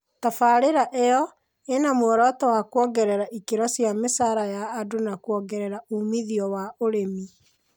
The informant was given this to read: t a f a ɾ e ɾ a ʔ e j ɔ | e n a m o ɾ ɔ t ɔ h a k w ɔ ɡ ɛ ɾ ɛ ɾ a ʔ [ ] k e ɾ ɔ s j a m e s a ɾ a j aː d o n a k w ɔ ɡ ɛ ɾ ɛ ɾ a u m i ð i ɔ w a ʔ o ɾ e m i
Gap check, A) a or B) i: B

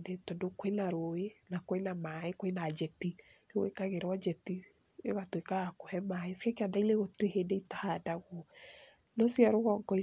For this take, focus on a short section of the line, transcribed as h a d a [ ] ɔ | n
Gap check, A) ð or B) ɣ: B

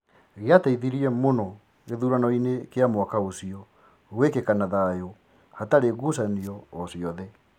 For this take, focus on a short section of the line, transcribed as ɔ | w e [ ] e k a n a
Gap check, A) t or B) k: B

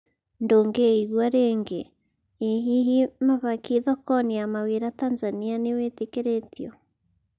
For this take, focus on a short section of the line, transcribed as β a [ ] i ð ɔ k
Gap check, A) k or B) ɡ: A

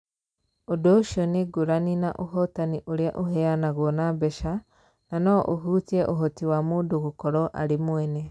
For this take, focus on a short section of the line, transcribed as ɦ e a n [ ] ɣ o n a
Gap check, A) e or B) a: B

